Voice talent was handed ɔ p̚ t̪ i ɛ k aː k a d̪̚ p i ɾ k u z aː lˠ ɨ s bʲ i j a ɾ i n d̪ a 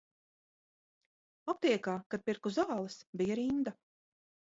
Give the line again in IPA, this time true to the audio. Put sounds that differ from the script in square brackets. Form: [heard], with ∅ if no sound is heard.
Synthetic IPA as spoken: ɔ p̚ t̪ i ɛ k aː k a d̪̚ p i ɾ k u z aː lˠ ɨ s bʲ i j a ɾ i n d̪ a